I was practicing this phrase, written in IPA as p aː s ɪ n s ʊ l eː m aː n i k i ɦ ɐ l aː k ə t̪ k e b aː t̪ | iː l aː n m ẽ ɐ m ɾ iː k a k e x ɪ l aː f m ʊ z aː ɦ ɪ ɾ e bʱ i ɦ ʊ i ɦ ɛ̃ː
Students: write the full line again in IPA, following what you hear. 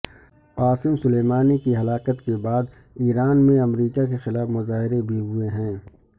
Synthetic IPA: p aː s ɪ m s ʊ l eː m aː n i k i ɦ ɐ l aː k ə t̪ k e b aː d̪ | iː ɾ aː n m ẽ ɐ m ɾ iː k a k e x ɪ l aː f m ʊ z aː ɦ ɪ ɾ e bʱ i ɦ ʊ e ɦ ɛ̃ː